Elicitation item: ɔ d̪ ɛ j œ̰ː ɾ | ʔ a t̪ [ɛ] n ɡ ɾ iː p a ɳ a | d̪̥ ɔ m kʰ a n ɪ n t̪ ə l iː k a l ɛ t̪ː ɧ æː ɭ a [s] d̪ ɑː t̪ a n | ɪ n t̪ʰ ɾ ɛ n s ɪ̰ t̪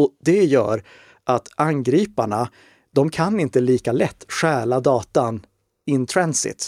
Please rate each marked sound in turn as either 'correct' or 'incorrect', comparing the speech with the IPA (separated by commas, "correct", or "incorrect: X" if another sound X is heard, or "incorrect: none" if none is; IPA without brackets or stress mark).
incorrect: a, incorrect: none